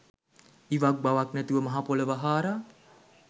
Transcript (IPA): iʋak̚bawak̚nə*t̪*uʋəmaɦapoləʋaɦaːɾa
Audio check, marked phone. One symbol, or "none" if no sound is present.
t̪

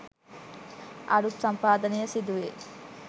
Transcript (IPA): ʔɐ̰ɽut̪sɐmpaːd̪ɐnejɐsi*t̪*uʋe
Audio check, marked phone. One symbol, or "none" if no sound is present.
d̪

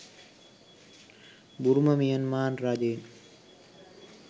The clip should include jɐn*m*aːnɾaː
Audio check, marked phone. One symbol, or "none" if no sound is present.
m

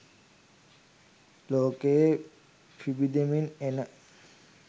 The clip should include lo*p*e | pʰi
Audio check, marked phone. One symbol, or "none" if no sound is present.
k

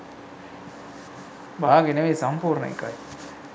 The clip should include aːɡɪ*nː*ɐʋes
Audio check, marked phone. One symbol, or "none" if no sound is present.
n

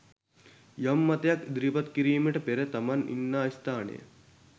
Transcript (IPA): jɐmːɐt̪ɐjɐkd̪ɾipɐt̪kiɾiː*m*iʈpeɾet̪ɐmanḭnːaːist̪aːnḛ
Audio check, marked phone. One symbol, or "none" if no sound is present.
m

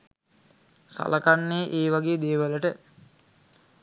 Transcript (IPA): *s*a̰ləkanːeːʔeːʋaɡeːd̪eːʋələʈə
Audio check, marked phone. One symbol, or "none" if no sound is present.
s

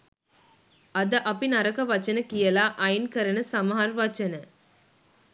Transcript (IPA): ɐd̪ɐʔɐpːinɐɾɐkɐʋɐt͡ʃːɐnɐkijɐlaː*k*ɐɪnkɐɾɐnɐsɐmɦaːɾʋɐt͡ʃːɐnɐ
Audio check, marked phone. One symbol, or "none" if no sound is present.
ʔ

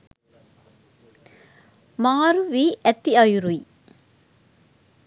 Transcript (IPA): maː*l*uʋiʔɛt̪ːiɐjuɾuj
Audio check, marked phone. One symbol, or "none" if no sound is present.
ɾ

